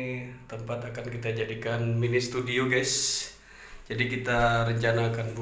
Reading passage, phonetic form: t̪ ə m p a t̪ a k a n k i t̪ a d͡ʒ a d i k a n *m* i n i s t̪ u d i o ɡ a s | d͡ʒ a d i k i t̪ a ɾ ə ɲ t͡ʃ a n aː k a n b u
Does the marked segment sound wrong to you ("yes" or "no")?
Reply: no